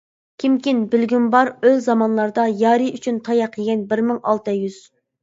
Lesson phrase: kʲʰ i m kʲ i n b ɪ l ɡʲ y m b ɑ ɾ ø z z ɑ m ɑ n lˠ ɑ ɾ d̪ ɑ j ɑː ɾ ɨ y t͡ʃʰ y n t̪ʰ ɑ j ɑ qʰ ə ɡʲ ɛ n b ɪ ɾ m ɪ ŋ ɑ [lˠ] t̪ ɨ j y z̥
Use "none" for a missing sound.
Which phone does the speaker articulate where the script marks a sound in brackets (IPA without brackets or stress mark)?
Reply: lˠ